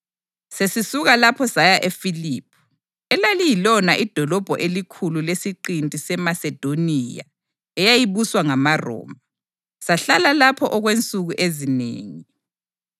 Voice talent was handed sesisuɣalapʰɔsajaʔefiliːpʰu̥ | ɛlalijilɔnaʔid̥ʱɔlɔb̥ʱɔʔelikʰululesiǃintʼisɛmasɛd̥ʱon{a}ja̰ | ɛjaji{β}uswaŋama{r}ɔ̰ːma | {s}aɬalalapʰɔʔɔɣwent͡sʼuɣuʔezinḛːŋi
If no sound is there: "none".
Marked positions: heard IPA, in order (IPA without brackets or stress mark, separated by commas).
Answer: i, β, r, s